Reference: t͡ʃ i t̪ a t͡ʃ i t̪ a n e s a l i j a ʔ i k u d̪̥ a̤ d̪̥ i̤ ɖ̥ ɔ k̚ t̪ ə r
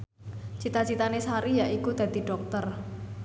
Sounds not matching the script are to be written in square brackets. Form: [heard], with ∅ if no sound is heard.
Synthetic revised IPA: t͡ʃ i t̪ a t͡ʃ i t̪ a n e s a [ɾ] i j a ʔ i k u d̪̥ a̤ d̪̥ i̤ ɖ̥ ɔ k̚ t̪ ə r